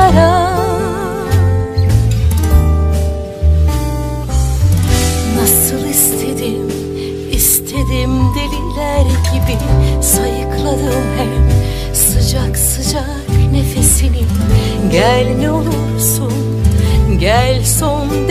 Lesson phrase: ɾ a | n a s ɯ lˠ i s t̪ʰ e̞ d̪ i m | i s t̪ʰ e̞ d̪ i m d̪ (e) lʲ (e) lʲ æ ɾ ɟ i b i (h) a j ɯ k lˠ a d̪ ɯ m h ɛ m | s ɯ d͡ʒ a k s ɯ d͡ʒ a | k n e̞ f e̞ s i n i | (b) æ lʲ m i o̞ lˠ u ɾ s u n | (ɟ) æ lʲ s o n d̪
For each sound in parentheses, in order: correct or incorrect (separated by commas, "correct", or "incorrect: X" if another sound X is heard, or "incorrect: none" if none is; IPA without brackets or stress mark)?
correct, incorrect: i, incorrect: s, incorrect: ɟ, correct